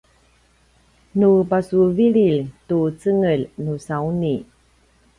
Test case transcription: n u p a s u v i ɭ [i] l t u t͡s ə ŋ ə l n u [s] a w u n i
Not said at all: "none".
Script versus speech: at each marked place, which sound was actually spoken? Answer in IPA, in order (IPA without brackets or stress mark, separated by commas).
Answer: i, s